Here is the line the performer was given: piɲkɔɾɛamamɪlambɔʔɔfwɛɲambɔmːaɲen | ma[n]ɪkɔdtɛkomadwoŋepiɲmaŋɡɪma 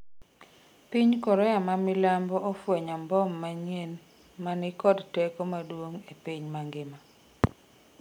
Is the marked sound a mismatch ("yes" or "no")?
no